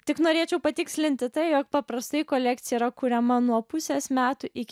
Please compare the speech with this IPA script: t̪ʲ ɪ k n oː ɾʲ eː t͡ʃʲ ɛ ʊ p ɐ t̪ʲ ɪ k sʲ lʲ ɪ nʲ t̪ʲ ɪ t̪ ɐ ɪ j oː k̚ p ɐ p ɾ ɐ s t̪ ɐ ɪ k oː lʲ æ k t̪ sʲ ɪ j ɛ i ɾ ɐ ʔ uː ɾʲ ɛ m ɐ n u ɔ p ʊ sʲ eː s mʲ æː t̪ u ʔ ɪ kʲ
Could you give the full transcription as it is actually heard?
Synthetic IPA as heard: t̪ʲ ɪ k n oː ɾʲ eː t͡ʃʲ ɛ ʊ p ɐ t̪ʲ ɪ k sʲ lʲ ɪ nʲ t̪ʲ ɪ t̪ ɐ ɪ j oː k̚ p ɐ p ɾ ɐ s t̪ ɐ ɪ k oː lʲ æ k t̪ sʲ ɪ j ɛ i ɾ ɐ k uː ɾʲ ɛ m ɐ n u ɔ p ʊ sʲ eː s mʲ æː t̪ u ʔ ɪ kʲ